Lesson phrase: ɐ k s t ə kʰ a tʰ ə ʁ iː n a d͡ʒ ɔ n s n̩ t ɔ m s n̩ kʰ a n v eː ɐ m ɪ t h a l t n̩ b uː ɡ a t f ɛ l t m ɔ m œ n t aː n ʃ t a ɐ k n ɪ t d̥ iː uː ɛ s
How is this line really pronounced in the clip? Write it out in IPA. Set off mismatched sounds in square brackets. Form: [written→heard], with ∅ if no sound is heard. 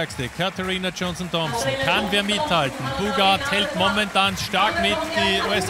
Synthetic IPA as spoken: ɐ k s t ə kʰ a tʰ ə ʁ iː n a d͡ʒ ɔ n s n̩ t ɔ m s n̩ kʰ a n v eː ɐ m ɪ t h a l t n̩ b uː ɡ a t [f→h] ɛ l t m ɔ m [œ→ɛ] n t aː n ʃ t a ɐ k [n→m] ɪ t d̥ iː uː ɛ s